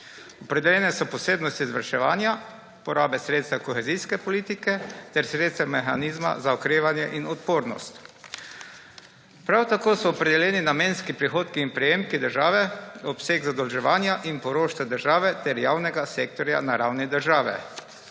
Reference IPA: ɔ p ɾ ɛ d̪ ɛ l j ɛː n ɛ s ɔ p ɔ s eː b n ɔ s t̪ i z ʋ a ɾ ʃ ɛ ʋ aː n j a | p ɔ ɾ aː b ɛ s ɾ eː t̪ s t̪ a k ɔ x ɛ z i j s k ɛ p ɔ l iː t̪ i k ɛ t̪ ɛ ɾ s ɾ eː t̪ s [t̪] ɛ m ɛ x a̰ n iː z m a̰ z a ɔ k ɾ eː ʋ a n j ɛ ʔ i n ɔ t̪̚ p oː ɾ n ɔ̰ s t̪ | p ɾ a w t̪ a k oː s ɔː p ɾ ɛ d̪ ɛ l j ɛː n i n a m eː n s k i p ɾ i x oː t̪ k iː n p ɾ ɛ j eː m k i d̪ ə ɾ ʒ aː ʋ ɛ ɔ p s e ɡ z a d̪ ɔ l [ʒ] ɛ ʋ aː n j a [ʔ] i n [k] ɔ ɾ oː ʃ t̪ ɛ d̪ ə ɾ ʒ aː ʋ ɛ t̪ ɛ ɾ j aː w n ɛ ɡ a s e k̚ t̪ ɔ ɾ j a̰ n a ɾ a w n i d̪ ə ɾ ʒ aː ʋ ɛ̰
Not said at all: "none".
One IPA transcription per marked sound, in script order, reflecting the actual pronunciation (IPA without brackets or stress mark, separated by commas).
t̪, ʒ, ʔ, p